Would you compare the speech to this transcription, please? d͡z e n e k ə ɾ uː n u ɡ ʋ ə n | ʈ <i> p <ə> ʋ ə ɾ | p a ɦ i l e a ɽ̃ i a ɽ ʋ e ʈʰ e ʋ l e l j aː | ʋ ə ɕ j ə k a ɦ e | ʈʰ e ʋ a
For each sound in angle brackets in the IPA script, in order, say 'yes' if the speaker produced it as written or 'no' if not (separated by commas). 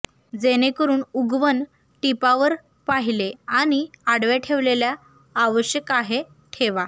yes, no